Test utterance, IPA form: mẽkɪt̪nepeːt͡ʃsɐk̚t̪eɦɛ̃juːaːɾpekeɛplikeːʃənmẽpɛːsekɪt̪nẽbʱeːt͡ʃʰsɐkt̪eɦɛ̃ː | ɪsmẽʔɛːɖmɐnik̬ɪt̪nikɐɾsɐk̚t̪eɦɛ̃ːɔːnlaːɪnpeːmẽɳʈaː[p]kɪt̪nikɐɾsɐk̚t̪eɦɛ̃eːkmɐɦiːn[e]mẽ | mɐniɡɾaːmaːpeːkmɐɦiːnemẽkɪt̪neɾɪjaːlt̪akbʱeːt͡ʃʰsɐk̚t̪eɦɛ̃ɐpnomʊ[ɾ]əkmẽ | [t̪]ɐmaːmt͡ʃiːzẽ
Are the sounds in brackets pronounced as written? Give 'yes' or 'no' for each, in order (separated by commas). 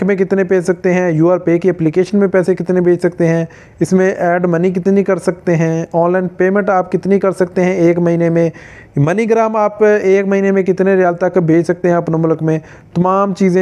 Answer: yes, yes, no, yes